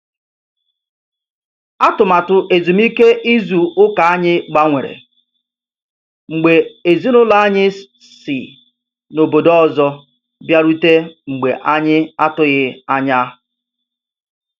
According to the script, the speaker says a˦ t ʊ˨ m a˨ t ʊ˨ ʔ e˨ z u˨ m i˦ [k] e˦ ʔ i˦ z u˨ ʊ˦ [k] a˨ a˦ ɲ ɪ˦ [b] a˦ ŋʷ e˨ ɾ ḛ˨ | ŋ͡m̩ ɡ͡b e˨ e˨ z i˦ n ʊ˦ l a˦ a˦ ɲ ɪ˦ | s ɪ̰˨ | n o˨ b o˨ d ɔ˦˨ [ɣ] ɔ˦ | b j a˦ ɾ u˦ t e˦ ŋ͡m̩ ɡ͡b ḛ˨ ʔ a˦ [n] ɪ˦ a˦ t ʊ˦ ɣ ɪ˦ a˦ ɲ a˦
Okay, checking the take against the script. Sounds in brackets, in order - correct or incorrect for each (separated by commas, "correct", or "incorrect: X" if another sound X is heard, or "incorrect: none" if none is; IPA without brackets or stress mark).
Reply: correct, correct, incorrect: ɡ͡b, incorrect: z, incorrect: ɲ